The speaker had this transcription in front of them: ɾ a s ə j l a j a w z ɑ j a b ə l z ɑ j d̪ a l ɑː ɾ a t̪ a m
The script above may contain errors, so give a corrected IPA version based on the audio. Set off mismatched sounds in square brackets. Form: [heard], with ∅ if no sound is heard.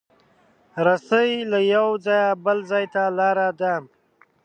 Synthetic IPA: ɾ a s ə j l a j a w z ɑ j a b ə l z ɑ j [t̪] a l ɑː ɾ a [d̪] a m